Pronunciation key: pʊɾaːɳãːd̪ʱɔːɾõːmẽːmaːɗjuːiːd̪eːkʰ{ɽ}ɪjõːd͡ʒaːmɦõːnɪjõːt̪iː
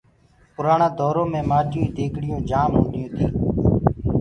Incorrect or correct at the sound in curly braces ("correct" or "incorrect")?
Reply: correct